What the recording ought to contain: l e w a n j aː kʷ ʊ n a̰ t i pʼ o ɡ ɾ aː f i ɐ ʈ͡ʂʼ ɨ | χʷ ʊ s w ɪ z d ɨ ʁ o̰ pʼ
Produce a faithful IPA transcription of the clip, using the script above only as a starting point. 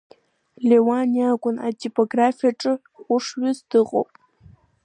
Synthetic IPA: l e w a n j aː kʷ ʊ n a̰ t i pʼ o ɡ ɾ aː f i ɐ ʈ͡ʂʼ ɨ | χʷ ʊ ʂ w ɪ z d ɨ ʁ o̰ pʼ